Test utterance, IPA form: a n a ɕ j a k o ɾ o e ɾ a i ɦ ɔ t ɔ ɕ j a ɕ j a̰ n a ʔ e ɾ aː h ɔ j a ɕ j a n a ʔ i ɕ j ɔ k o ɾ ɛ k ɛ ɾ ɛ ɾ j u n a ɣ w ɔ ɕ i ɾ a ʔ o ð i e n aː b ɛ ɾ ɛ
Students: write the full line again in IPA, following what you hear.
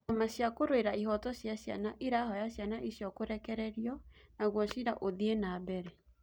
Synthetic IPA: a m a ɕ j a k o ɾ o e ɾ a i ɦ ɔ t ɔ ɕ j a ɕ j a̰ n a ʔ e ɾ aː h ɔ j a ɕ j a n a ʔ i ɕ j ɔ k o ɾ ɛ k ɛ ɾ ɛ ɾ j ɔ n a ɣ w ɔ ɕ i ɾ a ʔ o ð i e n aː b ɛ ɾ ɛ